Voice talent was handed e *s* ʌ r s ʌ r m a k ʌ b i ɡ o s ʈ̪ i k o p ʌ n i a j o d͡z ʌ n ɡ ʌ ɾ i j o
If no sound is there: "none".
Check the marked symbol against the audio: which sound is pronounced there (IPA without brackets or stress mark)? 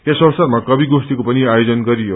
s